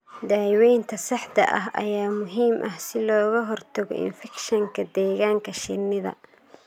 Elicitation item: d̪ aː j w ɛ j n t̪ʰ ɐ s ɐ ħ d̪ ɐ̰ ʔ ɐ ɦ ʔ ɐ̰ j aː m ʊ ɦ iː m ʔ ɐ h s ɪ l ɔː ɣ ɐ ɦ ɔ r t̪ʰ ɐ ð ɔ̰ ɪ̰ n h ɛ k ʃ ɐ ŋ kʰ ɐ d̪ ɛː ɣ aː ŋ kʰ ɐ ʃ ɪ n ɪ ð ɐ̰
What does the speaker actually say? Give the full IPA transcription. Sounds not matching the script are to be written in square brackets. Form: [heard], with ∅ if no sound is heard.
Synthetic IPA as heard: d̪ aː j w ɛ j n t̪ʰ ɐ s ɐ ħ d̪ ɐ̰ ʔ ɐ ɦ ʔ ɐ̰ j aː m ʊ ɦ iː m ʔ ɐ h s ɪ l ɔː ɣ ɐ ɦ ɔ r t̪ʰ ɐ [ɣ] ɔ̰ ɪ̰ n [f] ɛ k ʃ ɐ ŋ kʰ ɐ d̪ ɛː ɣ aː ŋ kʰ ɐ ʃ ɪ n ɪ ð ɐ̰